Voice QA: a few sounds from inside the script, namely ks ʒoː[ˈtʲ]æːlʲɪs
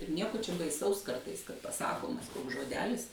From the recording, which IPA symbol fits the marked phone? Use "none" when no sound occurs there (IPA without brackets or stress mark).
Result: dʲ